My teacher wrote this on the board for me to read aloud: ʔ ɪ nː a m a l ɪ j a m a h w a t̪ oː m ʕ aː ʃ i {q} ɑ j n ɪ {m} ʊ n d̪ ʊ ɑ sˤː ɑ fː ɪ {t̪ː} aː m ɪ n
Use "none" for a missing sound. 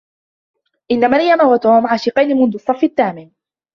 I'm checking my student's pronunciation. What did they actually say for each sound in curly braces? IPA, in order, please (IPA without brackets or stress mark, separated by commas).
q, m, t̪ː